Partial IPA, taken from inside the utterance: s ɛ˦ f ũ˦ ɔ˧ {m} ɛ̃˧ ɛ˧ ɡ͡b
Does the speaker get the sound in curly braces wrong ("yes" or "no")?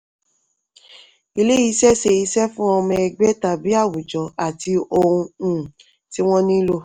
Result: no